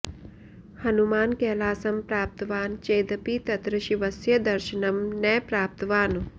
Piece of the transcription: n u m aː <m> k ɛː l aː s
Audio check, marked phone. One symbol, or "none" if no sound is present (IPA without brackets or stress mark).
n